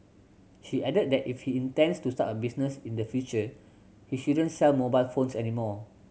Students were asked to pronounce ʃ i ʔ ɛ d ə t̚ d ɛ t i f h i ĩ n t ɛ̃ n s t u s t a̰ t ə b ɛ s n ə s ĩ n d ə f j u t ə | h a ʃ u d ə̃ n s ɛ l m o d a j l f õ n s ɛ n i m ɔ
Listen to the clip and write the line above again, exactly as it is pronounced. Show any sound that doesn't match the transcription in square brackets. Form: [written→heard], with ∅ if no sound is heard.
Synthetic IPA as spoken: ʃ i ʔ ɛ d ə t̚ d ɛ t i f h i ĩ n t ɛ̃ n s t u s t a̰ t ə b [ɛ→i] s n ə s ĩ n d ə f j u [t→t͡ʃ] ə | h [a→i] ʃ u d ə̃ n s ɛ l m o [d→b] a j l f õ n s ɛ n i m ɔ